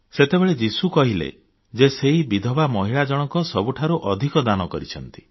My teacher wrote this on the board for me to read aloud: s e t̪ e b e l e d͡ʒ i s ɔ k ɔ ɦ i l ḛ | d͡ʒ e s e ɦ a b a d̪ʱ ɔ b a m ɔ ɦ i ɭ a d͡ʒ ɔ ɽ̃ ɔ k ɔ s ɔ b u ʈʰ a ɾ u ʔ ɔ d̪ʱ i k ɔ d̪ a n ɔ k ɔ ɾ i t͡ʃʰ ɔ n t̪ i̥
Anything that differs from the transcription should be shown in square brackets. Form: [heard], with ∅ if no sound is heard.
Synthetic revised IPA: s e t̪ e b e [ɭ] e d͡ʒ i s [u] k ɔ ɦ i l ḛ | d͡ʒ e s e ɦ [i] b [i] d̪ʱ ɔ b a m ɔ ɦ i ɭ a d͡ʒ ɔ ɽ̃ ɔ k ɔ s ɔ b u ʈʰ a ɾ u ʔ ɔ d̪ʱ i k ɔ d̪ a n ɔ k ɔ ɾ i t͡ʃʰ ɔ n t̪ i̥